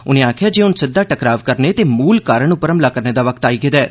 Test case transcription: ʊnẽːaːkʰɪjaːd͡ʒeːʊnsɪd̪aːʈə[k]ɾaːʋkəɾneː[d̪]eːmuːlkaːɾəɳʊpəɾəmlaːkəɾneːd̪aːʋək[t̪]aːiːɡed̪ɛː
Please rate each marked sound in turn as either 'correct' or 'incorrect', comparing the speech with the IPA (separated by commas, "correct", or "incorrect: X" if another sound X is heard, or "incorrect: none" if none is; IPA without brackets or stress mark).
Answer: correct, incorrect: t̪, correct